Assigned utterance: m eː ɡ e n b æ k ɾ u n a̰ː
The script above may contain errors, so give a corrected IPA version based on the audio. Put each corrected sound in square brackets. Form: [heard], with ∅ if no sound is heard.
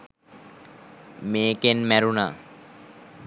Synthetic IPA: m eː [k] e n [m] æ [∅] ɾ u n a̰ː